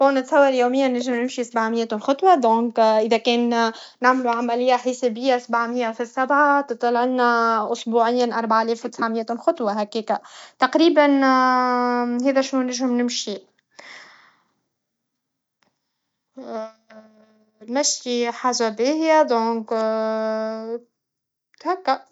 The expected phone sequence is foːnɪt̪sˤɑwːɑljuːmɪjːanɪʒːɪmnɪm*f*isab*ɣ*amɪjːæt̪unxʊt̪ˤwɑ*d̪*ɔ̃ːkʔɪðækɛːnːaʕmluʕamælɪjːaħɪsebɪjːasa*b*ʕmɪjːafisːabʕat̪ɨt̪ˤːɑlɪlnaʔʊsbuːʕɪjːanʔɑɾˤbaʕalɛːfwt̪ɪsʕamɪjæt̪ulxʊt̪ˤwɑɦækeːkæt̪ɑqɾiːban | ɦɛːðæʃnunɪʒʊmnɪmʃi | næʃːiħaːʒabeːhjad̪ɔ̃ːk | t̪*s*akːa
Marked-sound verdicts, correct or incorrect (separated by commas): incorrect, incorrect, correct, correct, incorrect